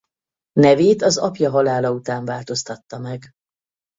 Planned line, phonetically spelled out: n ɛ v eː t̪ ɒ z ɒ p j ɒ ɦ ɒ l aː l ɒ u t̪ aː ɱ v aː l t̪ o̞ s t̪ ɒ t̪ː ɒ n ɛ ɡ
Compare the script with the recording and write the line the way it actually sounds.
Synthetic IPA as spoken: n ɛ v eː t̪ ɒ z ɒ p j ɒ ɦ ɒ l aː l ɒ u t̪ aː ɱ v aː l t̪ o̞ s t̪ ɒ t̪ː ɒ m ɛ ɡ

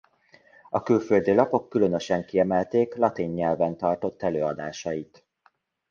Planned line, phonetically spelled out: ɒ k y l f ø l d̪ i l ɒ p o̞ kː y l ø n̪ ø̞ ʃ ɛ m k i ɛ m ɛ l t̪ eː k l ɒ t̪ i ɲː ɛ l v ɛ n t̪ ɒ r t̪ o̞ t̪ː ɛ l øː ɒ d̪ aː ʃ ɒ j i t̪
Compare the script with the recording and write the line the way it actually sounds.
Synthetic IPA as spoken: ɒ k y l f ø l d̪ i l ɒ p o̞ kː y l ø n̪ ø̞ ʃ ɛ ŋ k i ɛ m ɛ l t̪ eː k l ɒ t̪ i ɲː ɛ l v ɛ n t̪ ɒ r t̪ o̞ t̪ː ɛ l øː ɒ d̪ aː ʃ ɒ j i t̪

